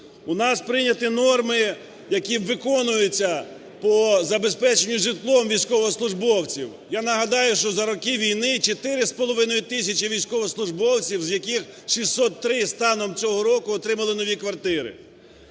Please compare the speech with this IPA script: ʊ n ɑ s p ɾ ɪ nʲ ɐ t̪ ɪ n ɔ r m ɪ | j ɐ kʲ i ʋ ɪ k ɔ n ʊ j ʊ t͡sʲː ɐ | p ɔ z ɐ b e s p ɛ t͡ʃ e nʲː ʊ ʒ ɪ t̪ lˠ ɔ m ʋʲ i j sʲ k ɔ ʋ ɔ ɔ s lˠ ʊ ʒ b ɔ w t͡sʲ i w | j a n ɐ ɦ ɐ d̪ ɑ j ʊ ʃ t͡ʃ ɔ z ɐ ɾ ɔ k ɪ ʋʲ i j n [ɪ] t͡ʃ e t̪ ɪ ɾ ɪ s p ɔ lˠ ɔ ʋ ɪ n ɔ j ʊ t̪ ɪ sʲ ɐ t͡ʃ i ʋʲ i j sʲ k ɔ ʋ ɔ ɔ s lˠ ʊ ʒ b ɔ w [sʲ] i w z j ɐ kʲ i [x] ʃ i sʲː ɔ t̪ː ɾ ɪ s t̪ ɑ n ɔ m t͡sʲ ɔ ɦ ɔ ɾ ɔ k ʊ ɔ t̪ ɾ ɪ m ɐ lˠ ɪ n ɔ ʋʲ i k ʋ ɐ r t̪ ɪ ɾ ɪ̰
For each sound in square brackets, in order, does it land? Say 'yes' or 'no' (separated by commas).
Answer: yes, no, yes